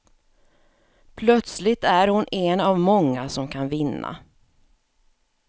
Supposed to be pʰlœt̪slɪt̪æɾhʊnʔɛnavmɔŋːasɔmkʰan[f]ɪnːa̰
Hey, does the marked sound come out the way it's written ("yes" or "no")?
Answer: no